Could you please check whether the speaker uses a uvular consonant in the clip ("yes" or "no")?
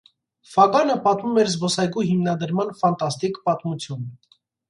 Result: no